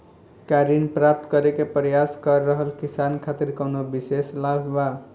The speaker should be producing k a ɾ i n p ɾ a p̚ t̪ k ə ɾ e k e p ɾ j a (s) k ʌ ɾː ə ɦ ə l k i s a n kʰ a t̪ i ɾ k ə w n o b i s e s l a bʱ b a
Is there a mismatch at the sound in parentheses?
no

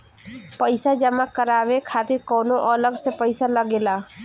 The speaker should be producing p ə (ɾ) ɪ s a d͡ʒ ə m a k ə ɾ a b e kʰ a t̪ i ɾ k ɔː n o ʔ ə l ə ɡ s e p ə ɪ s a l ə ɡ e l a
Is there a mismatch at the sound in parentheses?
yes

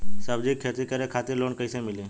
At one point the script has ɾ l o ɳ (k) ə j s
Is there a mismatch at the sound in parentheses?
no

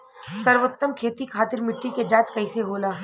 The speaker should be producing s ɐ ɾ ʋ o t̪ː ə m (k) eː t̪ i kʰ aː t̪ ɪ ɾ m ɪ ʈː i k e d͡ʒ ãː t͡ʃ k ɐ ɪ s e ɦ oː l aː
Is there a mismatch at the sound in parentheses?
yes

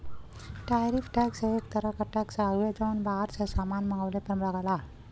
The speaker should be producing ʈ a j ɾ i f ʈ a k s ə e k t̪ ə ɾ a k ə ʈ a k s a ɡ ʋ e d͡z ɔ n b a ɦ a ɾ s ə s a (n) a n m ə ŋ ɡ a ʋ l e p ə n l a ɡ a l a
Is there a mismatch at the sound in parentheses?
yes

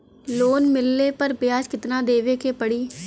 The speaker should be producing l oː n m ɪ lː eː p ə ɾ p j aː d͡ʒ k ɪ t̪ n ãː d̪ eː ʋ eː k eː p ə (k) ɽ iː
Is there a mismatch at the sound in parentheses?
yes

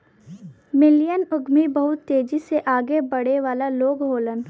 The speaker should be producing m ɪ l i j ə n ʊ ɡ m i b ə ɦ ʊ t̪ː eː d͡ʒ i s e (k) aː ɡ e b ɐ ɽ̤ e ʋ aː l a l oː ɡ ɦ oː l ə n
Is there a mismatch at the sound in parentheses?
yes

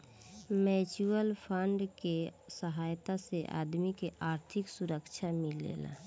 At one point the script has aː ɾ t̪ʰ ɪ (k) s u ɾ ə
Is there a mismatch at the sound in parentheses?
no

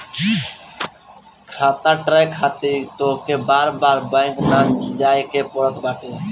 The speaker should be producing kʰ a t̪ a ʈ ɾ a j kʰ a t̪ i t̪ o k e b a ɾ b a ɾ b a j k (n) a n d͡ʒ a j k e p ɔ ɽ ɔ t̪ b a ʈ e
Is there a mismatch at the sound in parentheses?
no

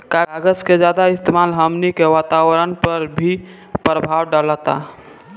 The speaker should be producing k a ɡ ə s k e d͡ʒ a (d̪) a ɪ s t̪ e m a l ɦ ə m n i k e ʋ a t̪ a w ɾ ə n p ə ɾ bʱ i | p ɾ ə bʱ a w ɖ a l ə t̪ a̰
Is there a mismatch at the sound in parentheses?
no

